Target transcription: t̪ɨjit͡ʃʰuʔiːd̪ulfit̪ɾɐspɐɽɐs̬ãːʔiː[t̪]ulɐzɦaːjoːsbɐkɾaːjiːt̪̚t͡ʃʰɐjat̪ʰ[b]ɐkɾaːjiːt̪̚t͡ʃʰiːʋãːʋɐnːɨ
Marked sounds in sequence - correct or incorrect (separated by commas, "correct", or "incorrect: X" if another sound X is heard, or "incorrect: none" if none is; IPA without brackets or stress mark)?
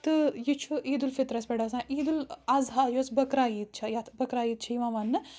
incorrect: d̪, correct